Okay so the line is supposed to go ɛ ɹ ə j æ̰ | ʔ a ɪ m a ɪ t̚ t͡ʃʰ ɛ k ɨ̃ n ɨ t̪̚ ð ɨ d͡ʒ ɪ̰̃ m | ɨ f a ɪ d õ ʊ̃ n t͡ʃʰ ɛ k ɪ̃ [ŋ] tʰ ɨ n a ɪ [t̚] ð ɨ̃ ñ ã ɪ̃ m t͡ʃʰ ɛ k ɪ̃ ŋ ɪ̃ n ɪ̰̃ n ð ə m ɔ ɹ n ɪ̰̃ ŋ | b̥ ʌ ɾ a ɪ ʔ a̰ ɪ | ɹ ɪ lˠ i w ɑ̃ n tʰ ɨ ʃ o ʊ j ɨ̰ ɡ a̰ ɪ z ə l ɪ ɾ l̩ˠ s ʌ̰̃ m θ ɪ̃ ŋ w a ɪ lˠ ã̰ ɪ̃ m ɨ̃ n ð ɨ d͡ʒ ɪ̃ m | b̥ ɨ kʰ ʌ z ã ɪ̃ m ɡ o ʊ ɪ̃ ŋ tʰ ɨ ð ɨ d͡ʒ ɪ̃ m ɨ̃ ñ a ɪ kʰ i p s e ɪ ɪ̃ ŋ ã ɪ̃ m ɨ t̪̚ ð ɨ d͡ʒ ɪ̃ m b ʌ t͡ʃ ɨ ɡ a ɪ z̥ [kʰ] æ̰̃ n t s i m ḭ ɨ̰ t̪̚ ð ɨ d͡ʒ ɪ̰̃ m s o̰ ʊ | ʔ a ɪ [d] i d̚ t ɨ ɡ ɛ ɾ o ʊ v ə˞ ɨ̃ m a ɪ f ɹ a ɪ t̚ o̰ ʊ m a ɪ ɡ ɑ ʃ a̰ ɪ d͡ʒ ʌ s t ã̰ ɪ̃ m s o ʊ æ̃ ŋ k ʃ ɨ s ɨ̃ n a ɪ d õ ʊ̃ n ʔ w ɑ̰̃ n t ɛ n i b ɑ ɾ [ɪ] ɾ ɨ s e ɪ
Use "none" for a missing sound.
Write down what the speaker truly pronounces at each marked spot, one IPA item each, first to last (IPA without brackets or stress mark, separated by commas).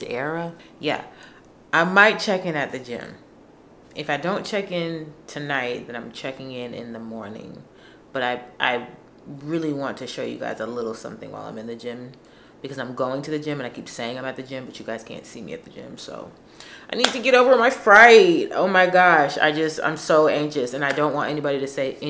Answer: n, t̚, kʰ, n, i